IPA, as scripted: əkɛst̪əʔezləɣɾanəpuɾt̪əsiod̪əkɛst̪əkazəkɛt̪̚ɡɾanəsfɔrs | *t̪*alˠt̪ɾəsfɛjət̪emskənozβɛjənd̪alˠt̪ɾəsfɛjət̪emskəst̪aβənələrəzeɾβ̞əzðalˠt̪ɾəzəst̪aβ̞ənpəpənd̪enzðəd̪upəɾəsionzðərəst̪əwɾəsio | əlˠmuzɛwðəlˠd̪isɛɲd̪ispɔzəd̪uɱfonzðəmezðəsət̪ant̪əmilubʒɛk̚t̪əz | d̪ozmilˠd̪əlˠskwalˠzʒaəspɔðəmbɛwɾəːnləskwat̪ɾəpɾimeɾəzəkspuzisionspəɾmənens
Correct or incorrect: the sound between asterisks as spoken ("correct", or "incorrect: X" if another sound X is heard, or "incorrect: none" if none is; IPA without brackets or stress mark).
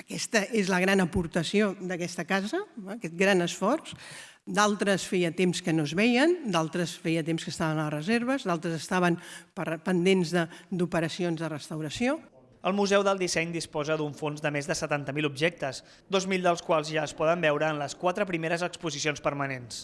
incorrect: d̪